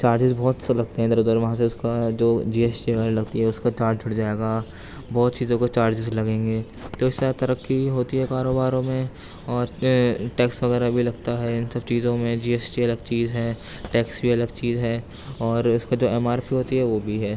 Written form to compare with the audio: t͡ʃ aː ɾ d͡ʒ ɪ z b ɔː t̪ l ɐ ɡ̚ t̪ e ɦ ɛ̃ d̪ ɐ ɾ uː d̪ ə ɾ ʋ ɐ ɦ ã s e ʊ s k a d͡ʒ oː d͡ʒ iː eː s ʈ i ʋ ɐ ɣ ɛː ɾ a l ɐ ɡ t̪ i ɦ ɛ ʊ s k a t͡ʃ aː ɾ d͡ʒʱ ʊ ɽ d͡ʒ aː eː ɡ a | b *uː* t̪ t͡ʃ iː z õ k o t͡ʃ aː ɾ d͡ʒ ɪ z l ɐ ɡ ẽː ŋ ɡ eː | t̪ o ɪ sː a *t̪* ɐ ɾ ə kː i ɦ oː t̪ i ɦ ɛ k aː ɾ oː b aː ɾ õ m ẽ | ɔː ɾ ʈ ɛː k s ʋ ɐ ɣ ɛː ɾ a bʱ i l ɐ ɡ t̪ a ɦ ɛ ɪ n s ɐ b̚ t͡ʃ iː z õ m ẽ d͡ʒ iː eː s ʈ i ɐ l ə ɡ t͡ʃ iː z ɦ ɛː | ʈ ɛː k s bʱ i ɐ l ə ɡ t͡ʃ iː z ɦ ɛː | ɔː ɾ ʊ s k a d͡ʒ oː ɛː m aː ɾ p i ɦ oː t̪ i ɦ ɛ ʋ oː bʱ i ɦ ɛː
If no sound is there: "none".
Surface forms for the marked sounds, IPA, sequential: ɔː, t̪

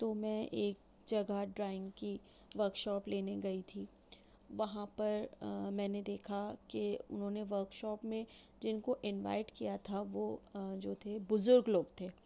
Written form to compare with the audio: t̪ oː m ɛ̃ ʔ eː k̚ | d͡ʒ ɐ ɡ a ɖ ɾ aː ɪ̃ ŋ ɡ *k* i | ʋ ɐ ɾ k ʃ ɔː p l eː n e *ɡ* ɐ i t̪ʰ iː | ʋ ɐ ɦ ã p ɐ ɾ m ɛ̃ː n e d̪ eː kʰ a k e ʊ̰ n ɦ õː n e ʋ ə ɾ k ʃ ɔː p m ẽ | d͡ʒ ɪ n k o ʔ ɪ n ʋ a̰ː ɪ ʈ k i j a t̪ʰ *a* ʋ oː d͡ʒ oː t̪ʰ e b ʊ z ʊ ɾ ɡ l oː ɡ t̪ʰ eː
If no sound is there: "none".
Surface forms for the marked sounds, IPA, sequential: k, ɡ, a

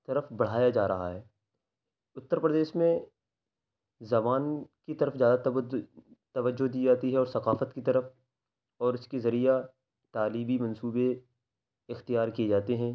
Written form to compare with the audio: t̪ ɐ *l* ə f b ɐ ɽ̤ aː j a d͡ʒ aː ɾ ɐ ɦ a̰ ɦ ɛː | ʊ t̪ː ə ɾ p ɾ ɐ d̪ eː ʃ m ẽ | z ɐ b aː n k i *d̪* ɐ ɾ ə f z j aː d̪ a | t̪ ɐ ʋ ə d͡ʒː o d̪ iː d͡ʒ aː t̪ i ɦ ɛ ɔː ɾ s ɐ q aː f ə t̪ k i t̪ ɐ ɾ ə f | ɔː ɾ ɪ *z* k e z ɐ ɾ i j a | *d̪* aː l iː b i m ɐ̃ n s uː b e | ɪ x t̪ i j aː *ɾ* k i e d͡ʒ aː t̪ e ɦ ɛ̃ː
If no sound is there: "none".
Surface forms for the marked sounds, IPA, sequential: ɾ, t̪, s, t̪, ɾ

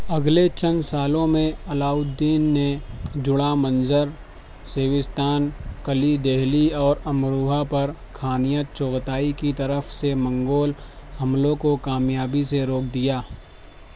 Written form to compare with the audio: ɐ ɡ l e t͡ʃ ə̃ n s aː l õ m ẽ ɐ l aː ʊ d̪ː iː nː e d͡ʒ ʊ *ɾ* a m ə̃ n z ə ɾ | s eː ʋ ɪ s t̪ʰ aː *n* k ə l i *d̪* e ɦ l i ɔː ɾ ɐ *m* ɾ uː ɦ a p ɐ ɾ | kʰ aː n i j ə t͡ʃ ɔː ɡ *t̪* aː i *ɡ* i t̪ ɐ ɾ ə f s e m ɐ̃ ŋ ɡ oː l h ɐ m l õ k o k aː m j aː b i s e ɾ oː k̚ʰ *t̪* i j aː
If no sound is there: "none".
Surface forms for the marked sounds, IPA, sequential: ɽ, n, d̪, m, t̪, k, d̪

